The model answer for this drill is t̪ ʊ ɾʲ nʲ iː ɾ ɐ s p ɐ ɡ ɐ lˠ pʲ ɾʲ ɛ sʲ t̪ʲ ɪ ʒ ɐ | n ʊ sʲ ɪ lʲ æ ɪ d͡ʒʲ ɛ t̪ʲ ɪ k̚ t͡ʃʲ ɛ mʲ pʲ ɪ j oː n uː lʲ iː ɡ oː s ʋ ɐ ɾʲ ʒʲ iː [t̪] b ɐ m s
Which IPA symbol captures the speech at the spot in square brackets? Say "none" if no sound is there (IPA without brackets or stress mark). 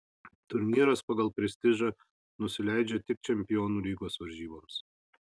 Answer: none